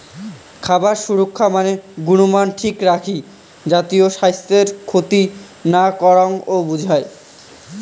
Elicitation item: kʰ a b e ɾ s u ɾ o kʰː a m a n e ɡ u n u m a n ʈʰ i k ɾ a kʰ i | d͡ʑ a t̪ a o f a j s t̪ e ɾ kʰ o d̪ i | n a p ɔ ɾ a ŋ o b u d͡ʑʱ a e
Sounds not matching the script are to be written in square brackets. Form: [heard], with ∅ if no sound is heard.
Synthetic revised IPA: kʰ a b [a] ɾ [ʃ] u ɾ o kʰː a m a n e ɡ u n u m a n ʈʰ i k ɾ a kʰ i | d͡ʑ a t̪ [i] o [ʃ] a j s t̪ e ɾ kʰ o [t̪] i | n a [k] ɔ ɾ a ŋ o b u d͡ʑʱ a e